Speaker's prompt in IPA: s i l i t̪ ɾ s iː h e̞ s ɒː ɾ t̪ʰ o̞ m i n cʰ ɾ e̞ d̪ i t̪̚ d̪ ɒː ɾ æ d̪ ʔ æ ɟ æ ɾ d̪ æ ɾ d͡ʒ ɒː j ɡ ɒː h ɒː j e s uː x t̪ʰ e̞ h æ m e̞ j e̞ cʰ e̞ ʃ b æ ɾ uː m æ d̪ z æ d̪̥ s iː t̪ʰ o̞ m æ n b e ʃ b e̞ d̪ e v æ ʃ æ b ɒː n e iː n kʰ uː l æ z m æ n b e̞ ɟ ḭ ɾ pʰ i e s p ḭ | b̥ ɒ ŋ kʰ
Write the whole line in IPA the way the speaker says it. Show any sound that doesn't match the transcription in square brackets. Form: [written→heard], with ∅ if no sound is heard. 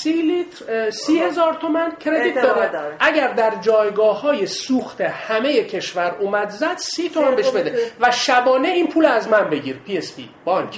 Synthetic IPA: s i l i t̪ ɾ s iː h e̞ [s→z] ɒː ɾ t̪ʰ o̞ m [i→æ] n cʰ ɾ e̞ d̪ i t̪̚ d̪ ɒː ɾ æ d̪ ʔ æ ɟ æ ɾ d̪ æ ɾ d͡ʒ ɒː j ɡ ɒː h ɒː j e s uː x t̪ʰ e̞ h æ m e̞ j e̞ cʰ e̞ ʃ [b→v] æ ɾ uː m æ d̪ z æ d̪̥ s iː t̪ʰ o̞ m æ n b e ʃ b e̞ d̪ e v æ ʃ æ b ɒː n e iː n [kʰ→pʰ] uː l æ z m æ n b e̞ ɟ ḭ ɾ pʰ i e s p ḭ | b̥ ɒ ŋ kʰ